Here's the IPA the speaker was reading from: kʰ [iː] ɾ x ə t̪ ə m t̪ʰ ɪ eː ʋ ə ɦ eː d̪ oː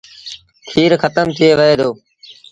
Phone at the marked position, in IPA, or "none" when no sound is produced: iː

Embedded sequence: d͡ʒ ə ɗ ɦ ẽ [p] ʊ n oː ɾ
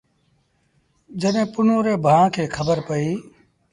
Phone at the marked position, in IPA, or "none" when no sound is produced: p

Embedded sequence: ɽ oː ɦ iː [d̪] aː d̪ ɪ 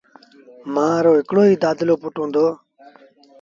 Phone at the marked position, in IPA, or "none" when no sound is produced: d̪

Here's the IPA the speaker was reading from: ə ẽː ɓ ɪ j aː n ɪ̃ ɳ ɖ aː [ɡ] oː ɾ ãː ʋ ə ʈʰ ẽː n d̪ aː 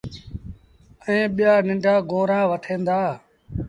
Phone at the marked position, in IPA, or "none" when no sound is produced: ɡ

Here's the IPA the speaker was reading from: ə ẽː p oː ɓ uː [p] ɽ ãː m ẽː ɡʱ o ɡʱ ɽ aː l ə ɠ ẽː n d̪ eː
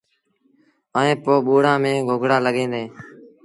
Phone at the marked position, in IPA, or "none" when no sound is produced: none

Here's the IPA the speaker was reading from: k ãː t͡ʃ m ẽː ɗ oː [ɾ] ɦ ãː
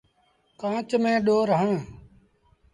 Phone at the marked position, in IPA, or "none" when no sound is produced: ɾ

